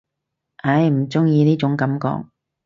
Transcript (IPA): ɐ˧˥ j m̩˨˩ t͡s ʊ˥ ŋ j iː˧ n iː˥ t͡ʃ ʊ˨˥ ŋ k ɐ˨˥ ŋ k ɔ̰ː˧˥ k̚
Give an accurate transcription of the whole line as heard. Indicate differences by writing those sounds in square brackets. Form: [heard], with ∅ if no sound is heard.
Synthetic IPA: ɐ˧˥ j m̩˨˩ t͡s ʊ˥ ŋ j iː˧ n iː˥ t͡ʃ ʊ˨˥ ŋ k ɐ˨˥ [m] k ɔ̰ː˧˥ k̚

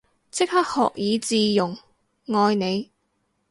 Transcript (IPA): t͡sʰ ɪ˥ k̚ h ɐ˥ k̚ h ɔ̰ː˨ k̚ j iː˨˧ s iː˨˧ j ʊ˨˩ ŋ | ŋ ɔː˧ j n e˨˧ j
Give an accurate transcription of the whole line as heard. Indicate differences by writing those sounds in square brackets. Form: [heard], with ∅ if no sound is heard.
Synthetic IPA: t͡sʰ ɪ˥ k̚ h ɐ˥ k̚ h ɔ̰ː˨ k̚ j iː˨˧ [t͡s] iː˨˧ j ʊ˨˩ ŋ | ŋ ɔː˧ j n e˨˧ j

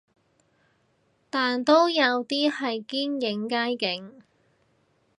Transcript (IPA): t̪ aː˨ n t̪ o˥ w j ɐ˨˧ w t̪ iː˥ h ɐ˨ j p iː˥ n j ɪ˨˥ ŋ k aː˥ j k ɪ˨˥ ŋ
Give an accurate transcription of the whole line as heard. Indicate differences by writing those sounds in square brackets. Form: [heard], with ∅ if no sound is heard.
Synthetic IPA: t̪ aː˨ n t̪ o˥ w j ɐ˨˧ w t̪ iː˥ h ɐ˨ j [k] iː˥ n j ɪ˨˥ ŋ k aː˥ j k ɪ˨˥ ŋ

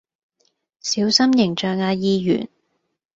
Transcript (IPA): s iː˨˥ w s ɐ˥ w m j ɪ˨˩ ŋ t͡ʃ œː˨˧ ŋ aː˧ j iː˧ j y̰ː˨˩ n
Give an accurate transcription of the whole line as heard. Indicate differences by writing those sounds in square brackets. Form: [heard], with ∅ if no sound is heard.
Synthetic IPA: s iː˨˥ w s ɐ˥ [∅] m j ɪ˨˩ ŋ t͡ʃ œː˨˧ ŋ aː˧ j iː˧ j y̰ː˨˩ n

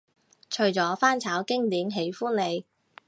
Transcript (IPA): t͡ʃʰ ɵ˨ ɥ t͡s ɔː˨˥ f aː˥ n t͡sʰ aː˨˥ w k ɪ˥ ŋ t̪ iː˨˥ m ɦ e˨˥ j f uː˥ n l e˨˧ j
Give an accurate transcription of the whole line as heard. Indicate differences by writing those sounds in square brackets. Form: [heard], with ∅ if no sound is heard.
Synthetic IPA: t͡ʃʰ ɵ˨ ɥ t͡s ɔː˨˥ f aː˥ n t͡sʰ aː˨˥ w k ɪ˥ ŋ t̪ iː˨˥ m ɦ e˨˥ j f uː˥ n l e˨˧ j

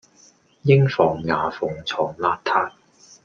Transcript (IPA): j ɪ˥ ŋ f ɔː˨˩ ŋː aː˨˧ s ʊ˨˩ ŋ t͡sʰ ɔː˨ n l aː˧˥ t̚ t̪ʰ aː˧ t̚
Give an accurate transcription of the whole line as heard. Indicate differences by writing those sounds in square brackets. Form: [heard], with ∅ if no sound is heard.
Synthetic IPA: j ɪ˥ ŋ f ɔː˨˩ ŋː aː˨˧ [f] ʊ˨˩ ŋ t͡sʰ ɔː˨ [ŋ] l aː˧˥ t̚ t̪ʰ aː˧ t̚

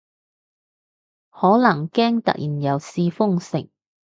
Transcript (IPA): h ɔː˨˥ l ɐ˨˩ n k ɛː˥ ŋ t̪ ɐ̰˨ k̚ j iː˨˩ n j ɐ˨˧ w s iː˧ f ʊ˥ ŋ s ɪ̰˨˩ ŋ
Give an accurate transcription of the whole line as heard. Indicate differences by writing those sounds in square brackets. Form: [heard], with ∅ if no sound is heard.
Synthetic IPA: h ɔː˨˥ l ɐ˨˩ [ŋ] k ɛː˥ ŋ t̪ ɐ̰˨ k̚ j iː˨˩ n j ɐ˨˧ w s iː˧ f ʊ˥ ŋ s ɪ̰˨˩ ŋ

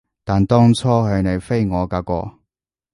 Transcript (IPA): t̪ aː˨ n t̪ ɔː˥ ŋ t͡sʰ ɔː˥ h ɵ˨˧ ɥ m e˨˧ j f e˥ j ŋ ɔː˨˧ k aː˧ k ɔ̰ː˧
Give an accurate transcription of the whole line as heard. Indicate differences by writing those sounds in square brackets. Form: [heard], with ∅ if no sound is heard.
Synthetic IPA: t̪ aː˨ n t̪ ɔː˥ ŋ t͡sʰ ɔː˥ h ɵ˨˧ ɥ [n] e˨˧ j f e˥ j ŋ ɔː˨˧ k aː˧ k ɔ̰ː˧

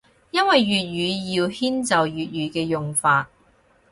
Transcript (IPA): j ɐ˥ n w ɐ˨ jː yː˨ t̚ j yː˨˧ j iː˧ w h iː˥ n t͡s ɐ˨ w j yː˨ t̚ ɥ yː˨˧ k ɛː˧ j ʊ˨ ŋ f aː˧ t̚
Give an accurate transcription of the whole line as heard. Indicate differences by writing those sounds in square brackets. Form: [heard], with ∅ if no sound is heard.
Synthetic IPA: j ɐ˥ n w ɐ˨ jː yː˨ t̚ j yː˨˧ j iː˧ w h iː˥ n t͡s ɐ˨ w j yː˨ t̚ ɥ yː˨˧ k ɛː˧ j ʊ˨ ŋ f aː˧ t̚

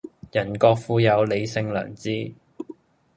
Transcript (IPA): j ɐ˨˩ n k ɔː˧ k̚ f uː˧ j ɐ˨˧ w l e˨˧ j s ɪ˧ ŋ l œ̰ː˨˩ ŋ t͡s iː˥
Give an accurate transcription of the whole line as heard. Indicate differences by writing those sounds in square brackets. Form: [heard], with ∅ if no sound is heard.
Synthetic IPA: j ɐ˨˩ n k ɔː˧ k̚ f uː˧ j ɐ˨˧ w l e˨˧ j s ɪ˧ ŋ l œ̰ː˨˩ ŋ t͡s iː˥

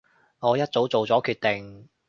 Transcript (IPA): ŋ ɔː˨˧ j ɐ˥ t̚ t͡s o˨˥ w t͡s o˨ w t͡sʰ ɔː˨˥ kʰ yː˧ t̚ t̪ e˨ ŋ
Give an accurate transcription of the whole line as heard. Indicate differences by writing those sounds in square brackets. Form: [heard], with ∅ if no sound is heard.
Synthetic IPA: ŋ ɔː˨˧ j ɐ˥ t̚ t͡s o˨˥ w t͡s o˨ w [t͡s] ɔː˨˥ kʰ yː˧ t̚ t̪ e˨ ŋ

